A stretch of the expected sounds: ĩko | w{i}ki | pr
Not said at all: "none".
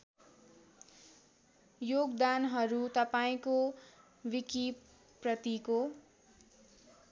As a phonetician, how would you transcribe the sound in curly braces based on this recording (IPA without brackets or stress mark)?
i